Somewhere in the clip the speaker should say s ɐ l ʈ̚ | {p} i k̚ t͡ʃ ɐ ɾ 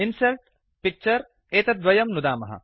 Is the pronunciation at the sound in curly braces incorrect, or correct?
correct